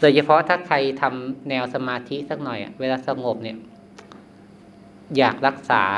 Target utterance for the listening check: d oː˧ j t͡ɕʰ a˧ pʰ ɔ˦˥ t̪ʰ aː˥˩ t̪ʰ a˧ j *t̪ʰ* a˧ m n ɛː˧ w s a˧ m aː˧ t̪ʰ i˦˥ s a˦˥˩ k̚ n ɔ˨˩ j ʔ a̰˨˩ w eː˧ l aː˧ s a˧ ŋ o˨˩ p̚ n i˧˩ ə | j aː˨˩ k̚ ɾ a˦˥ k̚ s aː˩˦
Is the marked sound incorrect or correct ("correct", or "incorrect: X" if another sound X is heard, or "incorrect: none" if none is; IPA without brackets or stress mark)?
correct